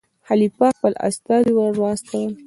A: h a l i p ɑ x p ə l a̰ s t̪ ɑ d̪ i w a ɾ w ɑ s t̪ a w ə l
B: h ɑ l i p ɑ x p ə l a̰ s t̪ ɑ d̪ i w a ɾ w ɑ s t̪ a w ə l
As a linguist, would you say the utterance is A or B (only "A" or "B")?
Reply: A